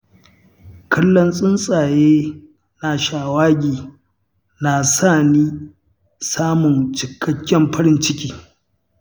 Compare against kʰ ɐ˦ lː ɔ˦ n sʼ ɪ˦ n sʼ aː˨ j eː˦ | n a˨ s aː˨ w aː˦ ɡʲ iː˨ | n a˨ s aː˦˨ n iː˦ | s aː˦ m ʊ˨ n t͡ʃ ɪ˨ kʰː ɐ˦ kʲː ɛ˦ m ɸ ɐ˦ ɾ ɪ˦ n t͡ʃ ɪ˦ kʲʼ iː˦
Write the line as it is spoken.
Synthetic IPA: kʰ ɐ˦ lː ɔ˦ n sʼ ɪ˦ n sʼ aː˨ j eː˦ | n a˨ ʃ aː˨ w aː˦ ɡʲ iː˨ | n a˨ s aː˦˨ n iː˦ | s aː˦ m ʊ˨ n t͡ʃ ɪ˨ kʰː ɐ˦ kʲː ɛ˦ m ɸ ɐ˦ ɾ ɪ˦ n t͡ʃ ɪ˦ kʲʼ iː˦

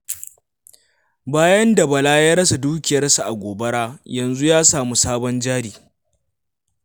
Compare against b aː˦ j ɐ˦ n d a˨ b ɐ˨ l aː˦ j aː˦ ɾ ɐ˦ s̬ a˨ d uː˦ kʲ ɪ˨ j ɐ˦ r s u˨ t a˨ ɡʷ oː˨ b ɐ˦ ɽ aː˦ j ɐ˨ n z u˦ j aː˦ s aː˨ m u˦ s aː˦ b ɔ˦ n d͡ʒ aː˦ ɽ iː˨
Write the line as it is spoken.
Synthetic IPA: b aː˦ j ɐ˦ n d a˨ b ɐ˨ l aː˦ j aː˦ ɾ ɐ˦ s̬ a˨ d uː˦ kʲ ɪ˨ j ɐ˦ r s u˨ ʔ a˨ ɡʷ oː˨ b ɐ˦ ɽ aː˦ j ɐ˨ n z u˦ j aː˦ s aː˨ m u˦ s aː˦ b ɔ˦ n d͡ʒ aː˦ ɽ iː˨

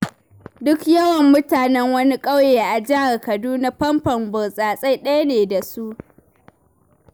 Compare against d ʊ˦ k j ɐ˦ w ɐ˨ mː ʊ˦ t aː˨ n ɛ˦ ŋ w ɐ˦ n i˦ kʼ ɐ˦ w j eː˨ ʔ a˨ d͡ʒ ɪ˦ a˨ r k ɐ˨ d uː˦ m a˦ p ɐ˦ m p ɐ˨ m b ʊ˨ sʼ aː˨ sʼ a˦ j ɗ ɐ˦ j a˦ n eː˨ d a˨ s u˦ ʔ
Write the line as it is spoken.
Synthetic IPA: d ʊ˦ k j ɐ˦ w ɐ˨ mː ʊ˦ t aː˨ n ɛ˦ ŋ w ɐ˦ n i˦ kʼ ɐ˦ w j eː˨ ʔ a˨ d͡ʒ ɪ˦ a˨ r k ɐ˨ d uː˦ n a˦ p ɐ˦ m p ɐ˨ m b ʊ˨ sʼ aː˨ sʼ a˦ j ɗ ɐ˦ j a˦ n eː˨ d a˨ s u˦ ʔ

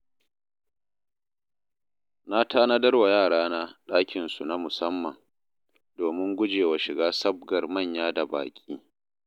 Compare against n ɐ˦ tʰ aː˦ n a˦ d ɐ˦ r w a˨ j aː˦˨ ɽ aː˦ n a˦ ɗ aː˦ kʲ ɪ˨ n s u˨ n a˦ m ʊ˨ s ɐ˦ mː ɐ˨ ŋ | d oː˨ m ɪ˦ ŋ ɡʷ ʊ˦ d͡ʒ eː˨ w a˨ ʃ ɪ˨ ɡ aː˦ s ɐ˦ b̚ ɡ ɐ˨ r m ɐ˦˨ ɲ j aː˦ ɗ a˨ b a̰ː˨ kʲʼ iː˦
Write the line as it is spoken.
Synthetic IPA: n a˦ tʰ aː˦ n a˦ d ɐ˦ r w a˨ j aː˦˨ ɽ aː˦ n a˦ ɗ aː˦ kʲ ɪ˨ n s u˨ n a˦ m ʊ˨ s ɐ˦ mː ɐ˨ ŋ | d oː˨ m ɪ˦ ŋ ɡʷ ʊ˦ d͡ʒ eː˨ w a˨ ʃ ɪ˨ ɡ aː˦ s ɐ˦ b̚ ɡ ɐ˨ r m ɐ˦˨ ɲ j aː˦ d a˨ b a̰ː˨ kʲʼ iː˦

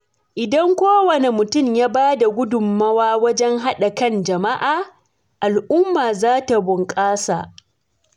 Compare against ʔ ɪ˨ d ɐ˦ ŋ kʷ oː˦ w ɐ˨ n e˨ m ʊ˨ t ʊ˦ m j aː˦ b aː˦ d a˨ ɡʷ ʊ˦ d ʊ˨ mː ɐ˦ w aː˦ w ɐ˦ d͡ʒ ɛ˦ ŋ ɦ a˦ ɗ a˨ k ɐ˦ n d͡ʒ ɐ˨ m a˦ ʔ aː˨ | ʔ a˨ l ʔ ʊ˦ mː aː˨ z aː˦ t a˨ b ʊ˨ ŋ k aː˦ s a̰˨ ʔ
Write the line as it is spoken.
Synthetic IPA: ʔ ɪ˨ d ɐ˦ ŋ kʷ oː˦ w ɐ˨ n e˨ m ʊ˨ t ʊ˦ m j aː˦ b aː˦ d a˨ ɡʷ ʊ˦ d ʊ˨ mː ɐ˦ w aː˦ w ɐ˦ d͡ʒ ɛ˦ ŋ ɦ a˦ ɗ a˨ k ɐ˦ n d͡ʒ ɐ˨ m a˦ ʔ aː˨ | ʔ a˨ l ʔ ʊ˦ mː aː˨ z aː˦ t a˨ b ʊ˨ ŋ kʼ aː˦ s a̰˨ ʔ

